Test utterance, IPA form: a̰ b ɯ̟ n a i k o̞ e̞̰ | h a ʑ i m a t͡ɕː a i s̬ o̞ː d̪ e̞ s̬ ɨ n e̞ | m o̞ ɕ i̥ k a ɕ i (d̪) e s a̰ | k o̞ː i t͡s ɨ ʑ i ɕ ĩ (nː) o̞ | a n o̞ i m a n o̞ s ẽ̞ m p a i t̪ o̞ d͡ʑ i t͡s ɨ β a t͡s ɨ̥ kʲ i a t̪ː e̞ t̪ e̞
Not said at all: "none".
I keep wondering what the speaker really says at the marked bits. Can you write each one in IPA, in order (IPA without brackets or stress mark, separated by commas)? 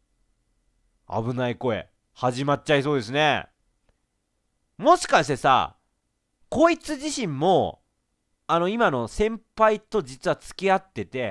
t̪, mː